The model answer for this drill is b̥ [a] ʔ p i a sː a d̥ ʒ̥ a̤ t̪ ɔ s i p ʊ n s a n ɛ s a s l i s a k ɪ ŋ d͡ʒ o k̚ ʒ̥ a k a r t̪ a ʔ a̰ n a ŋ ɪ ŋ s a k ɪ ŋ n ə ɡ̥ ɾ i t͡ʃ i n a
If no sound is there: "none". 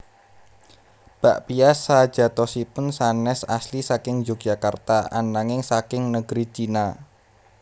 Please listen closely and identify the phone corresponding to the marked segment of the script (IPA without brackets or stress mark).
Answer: a